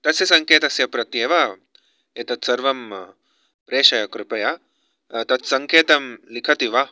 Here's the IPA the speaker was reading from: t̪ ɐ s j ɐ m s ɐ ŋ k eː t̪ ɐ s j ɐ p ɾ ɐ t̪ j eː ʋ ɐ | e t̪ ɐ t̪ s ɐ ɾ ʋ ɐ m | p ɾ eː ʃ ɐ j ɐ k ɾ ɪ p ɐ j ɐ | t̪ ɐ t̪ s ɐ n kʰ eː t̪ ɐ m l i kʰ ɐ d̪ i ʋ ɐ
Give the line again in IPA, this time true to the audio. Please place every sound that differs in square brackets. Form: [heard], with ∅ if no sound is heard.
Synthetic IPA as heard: t̪ ɐ s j ɐ [∅] s ɐ ŋ k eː t̪ ɐ s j ɐ p ɾ ɐ t̪ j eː ʋ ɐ | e t̪ ɐ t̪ s ɐ ɾ ʋ ɐ m | p ɾ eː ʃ ɐ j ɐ k ɾ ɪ p ɐ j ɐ | t̪ ɐ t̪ s ɐ [ŋ] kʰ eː t̪ ɐ m l i kʰ ɐ [t̪] i ʋ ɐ

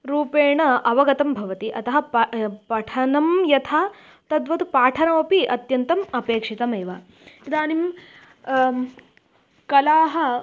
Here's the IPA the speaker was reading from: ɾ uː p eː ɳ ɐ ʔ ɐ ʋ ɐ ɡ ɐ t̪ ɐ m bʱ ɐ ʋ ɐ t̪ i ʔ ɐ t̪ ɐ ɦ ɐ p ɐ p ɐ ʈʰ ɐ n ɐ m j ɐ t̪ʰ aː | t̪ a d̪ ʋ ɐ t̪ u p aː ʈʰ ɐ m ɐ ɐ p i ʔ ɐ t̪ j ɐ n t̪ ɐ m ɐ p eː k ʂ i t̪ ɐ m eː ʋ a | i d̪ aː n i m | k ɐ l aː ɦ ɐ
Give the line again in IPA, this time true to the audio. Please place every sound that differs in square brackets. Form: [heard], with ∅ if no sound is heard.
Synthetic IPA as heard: ɾ uː p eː ɳ ɐ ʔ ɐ ʋ ɐ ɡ ɐ t̪ ɐ m bʱ ɐ ʋ ɐ t̪ i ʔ ɐ t̪ ɐ ɦ ɐ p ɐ p ɐ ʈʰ ɐ n ɐ m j ɐ t̪ʰ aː | t̪ [ɐ] d̪ ʋ ɐ t̪ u p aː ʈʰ ɐ [n] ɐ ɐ p i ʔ ɐ t̪ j ɐ n t̪ ɐ m ɐ p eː k ʂ i t̪ ɐ m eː ʋ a | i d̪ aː n i m | k ɐ l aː ɦ ɐ

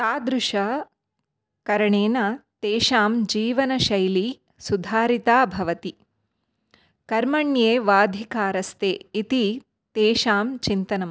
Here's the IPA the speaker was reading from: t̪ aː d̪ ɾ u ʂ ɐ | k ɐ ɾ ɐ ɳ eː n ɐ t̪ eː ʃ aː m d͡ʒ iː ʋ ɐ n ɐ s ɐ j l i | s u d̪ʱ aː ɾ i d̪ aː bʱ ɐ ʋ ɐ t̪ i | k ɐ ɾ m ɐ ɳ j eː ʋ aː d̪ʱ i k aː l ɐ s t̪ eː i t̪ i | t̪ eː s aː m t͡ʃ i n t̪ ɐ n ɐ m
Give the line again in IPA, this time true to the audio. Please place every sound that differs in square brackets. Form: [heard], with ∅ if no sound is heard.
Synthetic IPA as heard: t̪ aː d̪ ɾ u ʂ ɐ | k ɐ ɾ ɐ ɳ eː n ɐ t̪ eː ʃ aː m d͡ʒ iː ʋ ɐ n ɐ [ʃ] ɐ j l i | s u d̪ʱ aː ɾ i [t̪] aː bʱ ɐ ʋ ɐ t̪ i | k ɐ ɾ m ɐ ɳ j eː ʋ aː d̪ʱ i k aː [ɾ] ɐ s t̪ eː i t̪ i | t̪ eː [ʃ] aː m t͡ʃ i n t̪ ɐ n ɐ m

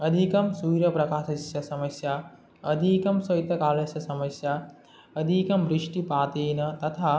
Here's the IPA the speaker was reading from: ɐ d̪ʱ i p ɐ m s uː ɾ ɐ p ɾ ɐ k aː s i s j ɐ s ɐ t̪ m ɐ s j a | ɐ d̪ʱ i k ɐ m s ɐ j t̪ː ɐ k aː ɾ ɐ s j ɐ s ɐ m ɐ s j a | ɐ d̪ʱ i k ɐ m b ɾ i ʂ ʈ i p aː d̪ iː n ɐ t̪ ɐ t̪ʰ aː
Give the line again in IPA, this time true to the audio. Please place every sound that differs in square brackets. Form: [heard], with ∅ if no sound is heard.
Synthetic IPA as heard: ɐ d̪ʱ i [k] ɐ m s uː ɾ ɐ p ɾ ɐ k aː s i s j ɐ s ɐ [∅] m ɐ s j a | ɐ d̪ʱ i k ɐ m s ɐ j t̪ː ɐ k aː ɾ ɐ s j ɐ s ɐ m ɐ s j a | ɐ d̪ʱ i k ɐ m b ɾ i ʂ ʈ i p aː [t̪] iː n ɐ t̪ ɐ t̪ʰ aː

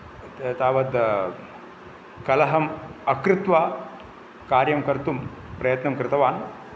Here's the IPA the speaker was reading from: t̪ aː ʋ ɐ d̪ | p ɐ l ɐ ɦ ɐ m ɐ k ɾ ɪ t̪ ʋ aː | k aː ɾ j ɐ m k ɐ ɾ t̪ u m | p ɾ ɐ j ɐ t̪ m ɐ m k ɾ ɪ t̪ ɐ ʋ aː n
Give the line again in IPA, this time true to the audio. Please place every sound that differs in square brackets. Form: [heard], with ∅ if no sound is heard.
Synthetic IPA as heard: t̪ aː ʋ ɐ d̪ | [k] ɐ l ɐ ɦ ɐ m ɐ k ɾ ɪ t̪ ʋ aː | k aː ɾ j ɐ m k ɐ ɾ t̪ u m | p ɾ ɐ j ɐ t̪ [n] ɐ m k ɾ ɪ t̪ ɐ ʋ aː n

